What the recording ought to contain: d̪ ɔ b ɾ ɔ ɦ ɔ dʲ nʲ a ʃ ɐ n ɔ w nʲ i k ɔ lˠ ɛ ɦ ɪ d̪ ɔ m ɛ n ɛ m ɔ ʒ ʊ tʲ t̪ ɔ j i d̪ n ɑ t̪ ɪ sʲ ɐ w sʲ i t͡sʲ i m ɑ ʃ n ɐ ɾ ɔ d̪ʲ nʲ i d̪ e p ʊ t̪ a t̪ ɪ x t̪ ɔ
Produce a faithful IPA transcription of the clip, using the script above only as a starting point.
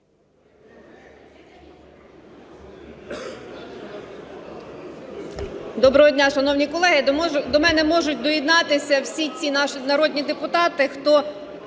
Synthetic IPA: d̪ ɔ b ɾ ɔ ɦ ɔ dʲ nʲ a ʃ ɐ n ɔ w nʲ i k ɔ lˠ ɛ ɦ ɪ d̪ ɔ m ɛ n ɛ m ɔ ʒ ʊ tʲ d̪ ɔ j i d̪ n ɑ t̪ ɪ sʲ ɐ w sʲ i t͡sʲ i n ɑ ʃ n ɐ ɾ ɔ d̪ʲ nʲ i d̪ e p ʊ t̪ ɑ t̪ ɪ x t̪ ɔ